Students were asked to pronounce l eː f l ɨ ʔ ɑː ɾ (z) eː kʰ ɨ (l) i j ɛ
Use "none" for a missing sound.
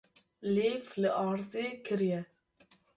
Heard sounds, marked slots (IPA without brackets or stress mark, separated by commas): z, ɾ